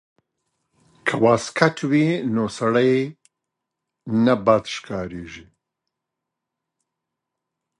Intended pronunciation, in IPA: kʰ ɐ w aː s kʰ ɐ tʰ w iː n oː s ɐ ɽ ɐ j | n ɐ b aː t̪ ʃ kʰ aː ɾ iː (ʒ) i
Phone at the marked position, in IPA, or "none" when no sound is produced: ʒ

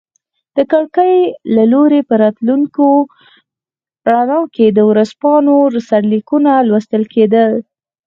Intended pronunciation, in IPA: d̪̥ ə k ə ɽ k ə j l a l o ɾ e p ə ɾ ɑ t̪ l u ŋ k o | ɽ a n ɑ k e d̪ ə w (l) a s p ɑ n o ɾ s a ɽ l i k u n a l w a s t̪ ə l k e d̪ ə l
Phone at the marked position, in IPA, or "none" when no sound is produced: ɾ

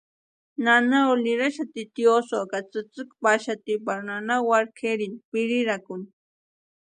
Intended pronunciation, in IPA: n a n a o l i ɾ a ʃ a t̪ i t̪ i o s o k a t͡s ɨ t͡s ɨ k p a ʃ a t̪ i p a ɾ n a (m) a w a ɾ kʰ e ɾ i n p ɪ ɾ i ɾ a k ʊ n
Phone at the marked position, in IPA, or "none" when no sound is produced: n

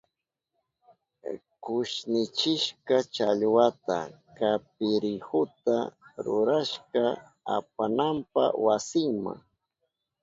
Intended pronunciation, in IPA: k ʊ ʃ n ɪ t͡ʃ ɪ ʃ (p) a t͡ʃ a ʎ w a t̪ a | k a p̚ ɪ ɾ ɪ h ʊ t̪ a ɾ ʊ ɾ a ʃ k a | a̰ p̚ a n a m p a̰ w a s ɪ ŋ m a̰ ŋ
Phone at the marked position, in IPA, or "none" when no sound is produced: k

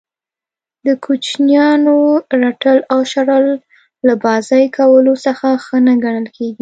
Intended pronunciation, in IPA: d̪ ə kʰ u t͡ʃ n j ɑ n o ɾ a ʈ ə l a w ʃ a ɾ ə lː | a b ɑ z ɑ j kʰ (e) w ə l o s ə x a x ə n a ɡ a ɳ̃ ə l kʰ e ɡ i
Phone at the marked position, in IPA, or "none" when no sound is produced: a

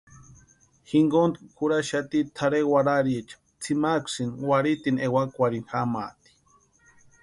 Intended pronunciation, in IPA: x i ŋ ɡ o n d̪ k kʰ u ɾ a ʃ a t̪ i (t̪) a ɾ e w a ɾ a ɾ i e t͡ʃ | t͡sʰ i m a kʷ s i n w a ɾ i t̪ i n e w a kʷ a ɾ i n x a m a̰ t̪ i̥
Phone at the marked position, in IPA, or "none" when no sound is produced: t̪ʰ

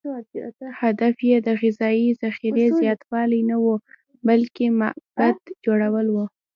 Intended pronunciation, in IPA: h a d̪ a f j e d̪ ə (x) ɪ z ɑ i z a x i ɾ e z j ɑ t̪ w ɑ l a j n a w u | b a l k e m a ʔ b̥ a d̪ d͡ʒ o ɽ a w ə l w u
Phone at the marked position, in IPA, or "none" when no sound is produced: ɣ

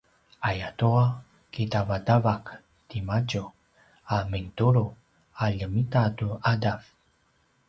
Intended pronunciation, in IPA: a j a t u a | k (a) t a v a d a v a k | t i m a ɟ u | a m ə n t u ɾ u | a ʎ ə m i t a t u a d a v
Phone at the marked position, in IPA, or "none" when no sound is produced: i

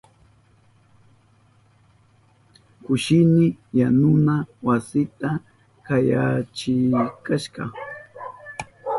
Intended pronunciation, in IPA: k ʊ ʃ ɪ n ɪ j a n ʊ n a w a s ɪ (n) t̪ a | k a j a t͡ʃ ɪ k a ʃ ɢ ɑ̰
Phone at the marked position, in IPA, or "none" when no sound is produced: none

